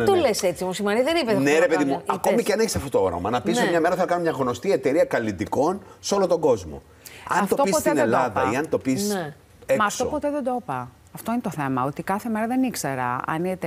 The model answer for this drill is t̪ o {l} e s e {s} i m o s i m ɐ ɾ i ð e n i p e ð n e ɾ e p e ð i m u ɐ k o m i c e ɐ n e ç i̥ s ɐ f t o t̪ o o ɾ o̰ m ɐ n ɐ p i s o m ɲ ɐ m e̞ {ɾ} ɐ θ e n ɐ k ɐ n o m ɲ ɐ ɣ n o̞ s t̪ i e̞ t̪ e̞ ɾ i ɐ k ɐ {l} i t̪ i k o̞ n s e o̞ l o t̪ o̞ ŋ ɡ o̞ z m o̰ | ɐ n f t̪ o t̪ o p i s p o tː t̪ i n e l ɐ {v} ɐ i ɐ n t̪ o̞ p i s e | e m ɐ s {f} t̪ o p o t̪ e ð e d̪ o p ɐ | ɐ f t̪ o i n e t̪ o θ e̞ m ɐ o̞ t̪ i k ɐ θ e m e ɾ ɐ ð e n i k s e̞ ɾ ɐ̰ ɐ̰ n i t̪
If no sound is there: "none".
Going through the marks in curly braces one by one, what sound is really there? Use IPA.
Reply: l, t͡s, ɾ, l, ð, f

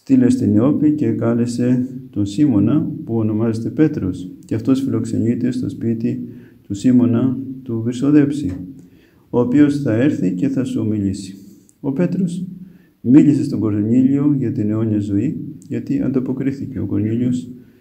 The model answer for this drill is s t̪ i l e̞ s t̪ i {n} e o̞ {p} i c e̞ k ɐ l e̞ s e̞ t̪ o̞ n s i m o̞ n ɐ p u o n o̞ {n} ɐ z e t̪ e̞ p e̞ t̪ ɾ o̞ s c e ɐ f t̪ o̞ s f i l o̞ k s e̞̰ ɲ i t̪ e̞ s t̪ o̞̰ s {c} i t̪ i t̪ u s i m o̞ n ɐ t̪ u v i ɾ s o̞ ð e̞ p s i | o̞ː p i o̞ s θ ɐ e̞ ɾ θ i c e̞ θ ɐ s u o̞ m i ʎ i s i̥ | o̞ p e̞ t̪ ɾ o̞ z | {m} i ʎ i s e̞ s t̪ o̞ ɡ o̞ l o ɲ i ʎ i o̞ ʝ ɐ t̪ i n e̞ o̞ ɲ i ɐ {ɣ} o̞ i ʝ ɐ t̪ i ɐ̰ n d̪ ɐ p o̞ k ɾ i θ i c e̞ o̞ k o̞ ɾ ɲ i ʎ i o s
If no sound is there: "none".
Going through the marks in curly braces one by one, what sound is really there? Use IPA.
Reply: n, p, m, p, m, z

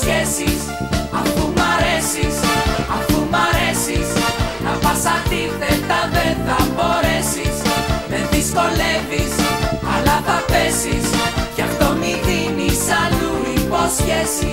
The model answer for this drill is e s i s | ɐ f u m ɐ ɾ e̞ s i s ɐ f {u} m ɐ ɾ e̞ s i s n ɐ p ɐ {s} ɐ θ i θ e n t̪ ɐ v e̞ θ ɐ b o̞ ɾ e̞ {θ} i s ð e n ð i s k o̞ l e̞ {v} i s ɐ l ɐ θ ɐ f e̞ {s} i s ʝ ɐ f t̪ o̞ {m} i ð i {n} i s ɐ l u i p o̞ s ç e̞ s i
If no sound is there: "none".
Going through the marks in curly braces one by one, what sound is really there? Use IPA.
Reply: u, s, s, v, s, m, n

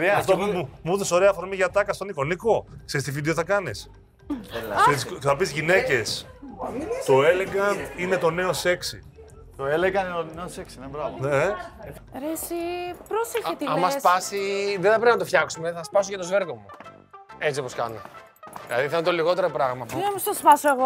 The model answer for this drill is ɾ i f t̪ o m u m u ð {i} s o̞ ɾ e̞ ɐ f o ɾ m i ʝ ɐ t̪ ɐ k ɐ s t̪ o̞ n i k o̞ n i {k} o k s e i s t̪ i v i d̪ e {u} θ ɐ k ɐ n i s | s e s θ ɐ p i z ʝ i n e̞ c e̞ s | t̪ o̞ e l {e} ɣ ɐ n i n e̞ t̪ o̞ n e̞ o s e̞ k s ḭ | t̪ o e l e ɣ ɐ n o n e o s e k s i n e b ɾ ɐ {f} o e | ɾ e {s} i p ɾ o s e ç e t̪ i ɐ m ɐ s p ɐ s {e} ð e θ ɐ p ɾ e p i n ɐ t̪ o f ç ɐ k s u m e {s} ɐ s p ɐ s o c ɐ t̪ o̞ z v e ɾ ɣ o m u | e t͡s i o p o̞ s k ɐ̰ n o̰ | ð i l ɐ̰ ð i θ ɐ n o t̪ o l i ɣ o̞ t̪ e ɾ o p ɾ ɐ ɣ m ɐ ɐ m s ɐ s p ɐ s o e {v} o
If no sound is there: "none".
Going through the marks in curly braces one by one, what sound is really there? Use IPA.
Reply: e, k, o, e, v, s, i, θ, ɣ

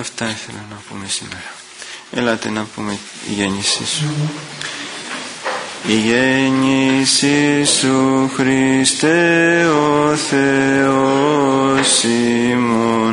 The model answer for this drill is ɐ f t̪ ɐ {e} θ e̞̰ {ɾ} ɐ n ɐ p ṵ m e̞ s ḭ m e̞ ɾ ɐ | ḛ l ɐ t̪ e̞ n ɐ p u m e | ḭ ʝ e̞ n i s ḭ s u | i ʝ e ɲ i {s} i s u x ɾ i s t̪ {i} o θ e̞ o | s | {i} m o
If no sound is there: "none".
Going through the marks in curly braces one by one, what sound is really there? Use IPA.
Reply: i, l, s, e, i

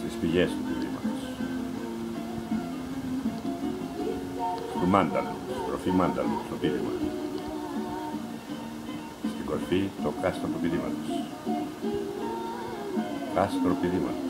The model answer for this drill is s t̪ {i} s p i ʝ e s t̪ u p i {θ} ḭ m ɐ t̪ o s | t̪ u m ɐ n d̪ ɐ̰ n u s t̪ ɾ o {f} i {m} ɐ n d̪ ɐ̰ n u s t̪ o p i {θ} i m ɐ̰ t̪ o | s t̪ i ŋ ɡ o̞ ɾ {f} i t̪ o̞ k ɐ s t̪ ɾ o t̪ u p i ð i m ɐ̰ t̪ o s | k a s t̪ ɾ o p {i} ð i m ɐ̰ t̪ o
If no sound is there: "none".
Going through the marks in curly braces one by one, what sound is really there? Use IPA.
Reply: i, ð, f, m, ð, f, i

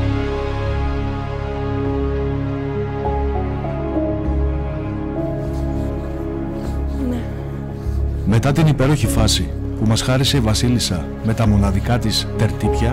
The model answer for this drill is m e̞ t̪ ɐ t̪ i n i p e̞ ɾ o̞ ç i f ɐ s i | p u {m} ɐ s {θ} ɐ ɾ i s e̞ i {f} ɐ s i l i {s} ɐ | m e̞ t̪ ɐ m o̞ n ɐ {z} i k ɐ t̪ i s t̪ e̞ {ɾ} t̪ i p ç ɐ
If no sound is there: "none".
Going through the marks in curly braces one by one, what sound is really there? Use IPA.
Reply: m, x, v, s, ð, ɾ

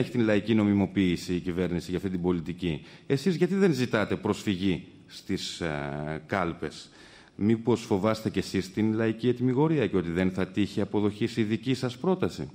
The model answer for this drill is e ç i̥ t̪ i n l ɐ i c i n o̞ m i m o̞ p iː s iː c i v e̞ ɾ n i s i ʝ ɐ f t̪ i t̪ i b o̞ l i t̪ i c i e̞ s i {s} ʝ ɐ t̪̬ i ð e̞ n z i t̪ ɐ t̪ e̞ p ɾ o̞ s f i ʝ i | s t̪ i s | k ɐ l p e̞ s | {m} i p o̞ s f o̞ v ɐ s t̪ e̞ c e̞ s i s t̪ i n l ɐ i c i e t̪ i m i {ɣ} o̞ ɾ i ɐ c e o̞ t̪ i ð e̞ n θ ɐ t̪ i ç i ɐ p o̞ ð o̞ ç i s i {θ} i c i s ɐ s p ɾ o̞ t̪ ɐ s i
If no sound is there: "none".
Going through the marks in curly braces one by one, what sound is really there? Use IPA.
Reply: z, m, ɣ, ð

